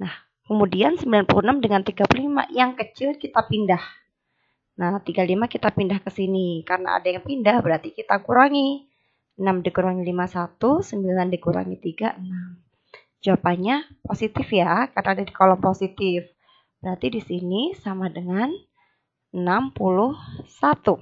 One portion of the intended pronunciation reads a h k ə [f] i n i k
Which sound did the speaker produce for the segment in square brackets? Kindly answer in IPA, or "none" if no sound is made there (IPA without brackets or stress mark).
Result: s